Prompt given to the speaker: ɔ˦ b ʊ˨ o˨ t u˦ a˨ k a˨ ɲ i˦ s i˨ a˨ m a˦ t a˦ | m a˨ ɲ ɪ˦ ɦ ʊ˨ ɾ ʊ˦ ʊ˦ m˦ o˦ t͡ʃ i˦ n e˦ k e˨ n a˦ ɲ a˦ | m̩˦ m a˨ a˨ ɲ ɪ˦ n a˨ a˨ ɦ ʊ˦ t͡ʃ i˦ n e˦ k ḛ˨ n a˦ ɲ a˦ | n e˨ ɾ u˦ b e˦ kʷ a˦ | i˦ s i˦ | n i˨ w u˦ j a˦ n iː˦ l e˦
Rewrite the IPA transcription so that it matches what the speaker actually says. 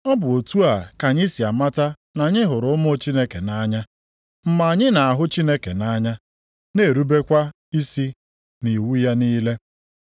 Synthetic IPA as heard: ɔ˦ b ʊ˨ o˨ t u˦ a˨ k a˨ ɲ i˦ s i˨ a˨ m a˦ t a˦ | n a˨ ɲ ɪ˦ ɦ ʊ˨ ɾ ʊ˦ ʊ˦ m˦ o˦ t͡ʃ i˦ n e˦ k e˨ n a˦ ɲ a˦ | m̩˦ m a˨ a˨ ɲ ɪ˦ n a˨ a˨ ɦ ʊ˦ t͡ʃ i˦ n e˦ k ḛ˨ n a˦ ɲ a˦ | n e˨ ɾ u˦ b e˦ kʷ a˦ | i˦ s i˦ | n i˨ w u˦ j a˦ n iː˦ l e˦

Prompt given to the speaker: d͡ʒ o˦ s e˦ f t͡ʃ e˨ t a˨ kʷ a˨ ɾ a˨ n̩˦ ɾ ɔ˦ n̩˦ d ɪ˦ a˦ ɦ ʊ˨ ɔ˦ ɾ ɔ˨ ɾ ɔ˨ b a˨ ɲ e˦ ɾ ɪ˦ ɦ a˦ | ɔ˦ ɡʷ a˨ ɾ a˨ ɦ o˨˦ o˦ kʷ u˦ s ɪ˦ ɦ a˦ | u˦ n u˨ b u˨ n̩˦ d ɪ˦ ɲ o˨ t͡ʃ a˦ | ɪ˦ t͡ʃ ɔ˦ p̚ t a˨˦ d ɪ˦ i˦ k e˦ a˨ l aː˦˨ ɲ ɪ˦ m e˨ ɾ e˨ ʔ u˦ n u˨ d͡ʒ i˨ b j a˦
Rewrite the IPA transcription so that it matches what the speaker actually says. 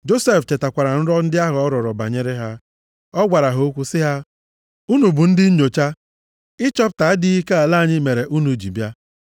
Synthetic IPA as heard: d͡ʒ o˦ s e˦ f t͡ʃ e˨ t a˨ kʷ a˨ ɾ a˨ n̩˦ ɾ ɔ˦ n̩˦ d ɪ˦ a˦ ɦ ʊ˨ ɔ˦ ɾ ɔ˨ ɾ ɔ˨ b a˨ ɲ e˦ ɾ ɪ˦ ɦ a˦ | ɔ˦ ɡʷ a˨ ɾ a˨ ɦ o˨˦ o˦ kʷ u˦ s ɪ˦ ɦ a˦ | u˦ n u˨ b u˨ n̩˦ d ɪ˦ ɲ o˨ t͡ʃ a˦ | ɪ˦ t͡ʃ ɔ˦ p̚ t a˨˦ d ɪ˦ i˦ k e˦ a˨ l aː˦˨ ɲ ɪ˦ m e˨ ɾ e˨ ʔ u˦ n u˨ d͡ʒ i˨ b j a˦

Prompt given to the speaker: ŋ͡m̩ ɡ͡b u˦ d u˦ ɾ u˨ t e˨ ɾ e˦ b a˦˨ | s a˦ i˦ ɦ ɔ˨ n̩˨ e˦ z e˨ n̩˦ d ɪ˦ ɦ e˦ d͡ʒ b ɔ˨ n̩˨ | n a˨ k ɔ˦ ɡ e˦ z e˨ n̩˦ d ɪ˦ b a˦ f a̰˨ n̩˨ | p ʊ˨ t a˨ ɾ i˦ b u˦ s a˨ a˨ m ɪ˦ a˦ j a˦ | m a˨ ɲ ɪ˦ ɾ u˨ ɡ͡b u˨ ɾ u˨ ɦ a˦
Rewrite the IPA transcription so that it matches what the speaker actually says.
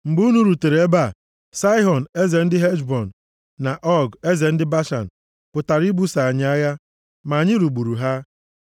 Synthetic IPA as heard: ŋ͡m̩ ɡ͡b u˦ n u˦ ɾ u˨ t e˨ ɾ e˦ b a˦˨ | s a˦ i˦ ɦ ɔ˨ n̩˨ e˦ z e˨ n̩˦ d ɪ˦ ɦ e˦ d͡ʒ b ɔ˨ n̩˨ | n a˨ ʔ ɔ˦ ɡ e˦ z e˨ n̩˦ d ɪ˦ b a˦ ʃ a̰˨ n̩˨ | p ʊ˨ t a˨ ɾ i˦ b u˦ s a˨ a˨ ɲ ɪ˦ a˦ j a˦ | m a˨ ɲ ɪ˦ ɾ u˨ ɡ͡b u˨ ɾ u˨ ɦ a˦

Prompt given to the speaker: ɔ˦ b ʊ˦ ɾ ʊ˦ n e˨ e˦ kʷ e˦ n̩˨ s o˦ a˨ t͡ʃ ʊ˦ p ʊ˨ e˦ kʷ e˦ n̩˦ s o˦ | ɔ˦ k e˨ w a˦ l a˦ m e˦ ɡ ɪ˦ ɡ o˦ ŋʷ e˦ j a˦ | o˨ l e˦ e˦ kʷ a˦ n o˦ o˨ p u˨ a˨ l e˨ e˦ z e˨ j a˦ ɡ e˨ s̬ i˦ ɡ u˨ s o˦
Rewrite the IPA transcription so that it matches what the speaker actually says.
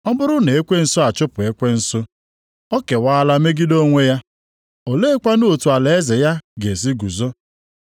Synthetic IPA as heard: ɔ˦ b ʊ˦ ɾ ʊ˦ n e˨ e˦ kʷ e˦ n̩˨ s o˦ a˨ t͡ʃ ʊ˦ p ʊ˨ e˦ kʷ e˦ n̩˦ s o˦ | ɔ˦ k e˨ w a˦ l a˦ m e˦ ɡ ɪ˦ d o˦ ŋʷ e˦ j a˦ | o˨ l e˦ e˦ kʷ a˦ n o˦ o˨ t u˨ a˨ l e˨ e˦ z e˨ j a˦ ɡ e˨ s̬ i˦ ɡ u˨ z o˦

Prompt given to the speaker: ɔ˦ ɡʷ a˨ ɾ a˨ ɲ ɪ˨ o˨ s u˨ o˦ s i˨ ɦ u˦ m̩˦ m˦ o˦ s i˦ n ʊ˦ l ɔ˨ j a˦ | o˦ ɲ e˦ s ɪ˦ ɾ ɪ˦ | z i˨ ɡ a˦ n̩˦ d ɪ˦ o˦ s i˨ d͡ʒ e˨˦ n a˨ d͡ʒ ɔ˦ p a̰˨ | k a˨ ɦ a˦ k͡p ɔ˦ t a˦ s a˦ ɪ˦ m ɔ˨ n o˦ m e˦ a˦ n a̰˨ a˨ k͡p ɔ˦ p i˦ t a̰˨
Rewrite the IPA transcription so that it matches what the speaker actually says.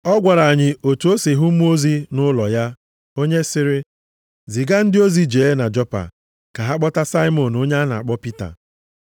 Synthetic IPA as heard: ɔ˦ ɡʷ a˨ ɾ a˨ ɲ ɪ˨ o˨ t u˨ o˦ s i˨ ɦ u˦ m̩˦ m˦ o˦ z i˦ n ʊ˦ l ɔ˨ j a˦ | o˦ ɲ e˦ s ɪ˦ ɾ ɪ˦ | z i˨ ɡ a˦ n̩˦ d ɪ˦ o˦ z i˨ d͡ʒ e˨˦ n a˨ d͡ʒ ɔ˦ p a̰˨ | k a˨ ɦ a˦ k͡p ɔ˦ t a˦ s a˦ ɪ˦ m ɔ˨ n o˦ ɲ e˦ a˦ n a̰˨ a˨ k͡p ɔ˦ p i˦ t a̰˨

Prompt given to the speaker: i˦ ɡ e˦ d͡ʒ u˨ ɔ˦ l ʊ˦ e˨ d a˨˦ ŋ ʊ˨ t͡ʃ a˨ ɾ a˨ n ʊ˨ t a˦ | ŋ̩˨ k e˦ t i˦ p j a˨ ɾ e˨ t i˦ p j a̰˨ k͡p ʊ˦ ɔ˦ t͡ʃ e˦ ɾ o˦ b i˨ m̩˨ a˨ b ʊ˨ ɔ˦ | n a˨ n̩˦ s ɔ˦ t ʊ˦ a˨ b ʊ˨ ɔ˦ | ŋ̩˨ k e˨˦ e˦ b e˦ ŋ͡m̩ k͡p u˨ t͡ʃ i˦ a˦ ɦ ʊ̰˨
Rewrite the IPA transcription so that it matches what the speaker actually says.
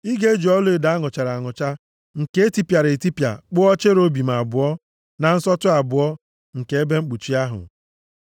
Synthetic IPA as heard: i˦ ɡ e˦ d͡ʒ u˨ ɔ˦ l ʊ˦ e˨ d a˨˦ ŋ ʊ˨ t͡ʃ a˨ ɾ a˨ ŋ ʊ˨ t͡ʃ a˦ | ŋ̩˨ k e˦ t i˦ p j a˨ ɾ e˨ t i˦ p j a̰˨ k͡p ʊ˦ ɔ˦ t͡ʃ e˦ ɾ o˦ b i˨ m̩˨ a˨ b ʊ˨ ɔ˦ | n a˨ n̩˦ s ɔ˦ t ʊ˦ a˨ b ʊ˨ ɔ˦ | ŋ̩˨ k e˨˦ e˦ b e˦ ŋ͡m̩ k͡p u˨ t͡ʃ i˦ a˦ ɦ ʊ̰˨

